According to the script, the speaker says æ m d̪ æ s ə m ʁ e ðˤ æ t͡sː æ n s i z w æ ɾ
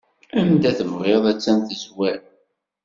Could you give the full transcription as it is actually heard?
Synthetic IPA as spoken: æ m d̪ æ θ ə m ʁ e ðˤ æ t͡sː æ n θ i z w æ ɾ